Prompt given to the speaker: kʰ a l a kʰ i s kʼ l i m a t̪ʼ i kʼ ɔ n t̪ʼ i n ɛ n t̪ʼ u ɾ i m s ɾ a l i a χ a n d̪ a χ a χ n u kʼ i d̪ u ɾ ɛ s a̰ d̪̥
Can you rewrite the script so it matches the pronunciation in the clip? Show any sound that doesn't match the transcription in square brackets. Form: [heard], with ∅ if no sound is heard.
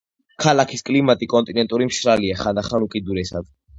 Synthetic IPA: kʰ a l a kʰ i s kʼ l i m a t̪ʼ i kʼ ɔ n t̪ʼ i n ɛ n t̪ʼ u ɾ i m [ʃ] ɾ a l i a χ a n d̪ a χ a [∅] n u kʼ i d̪ u ɾ ɛ s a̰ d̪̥